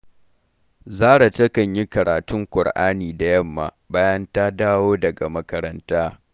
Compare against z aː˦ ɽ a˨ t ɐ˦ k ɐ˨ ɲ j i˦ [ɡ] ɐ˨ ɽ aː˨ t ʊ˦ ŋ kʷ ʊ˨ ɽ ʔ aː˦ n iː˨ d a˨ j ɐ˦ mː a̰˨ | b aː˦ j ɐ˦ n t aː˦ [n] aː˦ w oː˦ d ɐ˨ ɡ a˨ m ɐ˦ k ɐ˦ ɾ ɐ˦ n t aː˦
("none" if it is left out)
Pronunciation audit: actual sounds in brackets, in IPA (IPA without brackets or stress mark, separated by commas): k, d